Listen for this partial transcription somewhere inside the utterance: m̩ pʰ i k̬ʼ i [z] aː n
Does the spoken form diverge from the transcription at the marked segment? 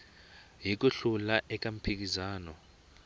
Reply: no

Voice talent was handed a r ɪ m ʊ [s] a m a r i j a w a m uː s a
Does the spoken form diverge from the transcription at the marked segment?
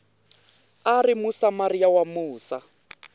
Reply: no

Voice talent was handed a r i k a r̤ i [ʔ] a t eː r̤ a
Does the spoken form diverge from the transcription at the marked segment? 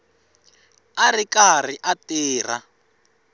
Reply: no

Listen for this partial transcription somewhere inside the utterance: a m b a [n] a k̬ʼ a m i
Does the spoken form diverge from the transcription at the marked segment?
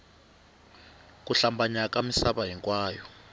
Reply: yes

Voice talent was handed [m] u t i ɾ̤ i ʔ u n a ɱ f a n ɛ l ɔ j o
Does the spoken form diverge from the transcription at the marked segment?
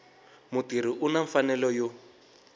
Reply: no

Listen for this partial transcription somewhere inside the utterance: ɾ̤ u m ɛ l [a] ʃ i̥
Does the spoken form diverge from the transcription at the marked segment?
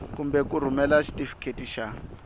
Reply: no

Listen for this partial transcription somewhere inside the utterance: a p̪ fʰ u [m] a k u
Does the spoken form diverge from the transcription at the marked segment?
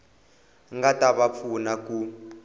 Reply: yes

